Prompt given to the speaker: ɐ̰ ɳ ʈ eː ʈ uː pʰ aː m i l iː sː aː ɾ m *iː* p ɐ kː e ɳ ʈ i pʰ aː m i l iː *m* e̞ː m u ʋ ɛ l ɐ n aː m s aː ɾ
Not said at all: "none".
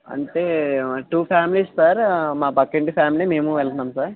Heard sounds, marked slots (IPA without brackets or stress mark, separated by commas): aː, m